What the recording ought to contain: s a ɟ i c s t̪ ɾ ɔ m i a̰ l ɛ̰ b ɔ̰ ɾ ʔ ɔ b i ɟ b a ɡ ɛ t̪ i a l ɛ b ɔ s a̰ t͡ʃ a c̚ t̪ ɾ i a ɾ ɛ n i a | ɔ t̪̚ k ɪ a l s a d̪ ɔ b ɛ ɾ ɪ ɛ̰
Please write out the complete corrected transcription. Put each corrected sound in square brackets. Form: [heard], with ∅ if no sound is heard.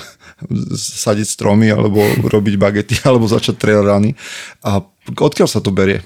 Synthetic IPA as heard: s a ɟ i c s t̪ ɾ ɔ m i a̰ l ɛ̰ b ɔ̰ ɾ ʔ ɔ b i ɟ b a ɡ ɛ t̪ i a l ɛ b ɔ [z] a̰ t͡ʃ a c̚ t̪ ɾ [ɛ] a ɾ [a] n i a | ɔ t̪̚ k ɪ a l s a [t̪] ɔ b ɛ ɾ ɪ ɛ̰